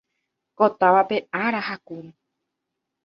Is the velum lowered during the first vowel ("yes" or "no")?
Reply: no